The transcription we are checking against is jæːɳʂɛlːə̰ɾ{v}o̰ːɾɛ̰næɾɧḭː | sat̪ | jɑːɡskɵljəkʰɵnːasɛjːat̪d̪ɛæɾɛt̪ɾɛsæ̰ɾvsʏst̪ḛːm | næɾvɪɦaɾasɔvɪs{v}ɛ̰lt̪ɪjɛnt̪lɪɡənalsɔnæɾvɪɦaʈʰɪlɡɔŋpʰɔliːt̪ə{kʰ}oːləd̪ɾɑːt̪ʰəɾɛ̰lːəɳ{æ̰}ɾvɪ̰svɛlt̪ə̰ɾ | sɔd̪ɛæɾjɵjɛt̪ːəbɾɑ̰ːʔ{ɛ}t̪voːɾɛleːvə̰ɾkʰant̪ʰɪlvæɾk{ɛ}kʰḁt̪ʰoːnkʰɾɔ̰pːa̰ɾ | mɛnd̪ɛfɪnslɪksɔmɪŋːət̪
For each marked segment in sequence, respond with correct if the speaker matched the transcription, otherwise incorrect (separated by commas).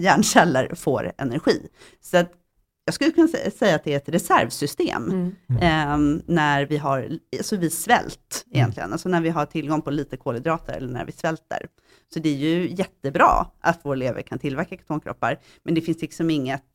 incorrect, correct, correct, correct, incorrect, incorrect